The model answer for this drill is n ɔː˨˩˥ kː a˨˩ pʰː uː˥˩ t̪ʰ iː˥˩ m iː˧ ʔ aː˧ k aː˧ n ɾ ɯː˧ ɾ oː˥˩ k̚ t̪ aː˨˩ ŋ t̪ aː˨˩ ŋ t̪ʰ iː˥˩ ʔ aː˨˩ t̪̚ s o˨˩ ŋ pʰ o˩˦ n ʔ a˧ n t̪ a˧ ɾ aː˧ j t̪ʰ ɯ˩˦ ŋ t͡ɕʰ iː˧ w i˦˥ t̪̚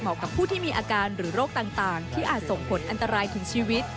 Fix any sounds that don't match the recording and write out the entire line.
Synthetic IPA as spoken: m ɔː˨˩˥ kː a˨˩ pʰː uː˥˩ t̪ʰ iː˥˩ m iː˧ ʔ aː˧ k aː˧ n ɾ ɯː˩˦ ɾ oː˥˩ k̚ t̪ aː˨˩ ŋ t̪ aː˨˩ ŋ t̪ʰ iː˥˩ ʔ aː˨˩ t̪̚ s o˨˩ ŋ pʰ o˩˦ n ʔ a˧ n t̪ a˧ ɾ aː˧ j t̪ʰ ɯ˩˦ ŋ t͡ɕʰ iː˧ w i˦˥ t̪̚